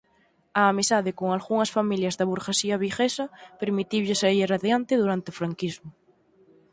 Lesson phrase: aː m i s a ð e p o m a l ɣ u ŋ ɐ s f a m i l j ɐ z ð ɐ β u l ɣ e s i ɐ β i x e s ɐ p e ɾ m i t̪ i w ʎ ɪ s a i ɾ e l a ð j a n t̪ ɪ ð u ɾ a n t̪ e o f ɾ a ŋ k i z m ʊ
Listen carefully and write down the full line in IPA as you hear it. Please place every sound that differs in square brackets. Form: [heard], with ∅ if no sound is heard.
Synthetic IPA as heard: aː m i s a ð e [k] o [ŋ] a l ɣ u ŋ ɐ s f a m i l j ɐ z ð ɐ β u [ɾ] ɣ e s i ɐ β i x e s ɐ p e ɾ m i t̪ i w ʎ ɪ s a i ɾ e [r] a ð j a n t̪ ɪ ð u ɾ a n t̪ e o f ɾ a ŋ k i z m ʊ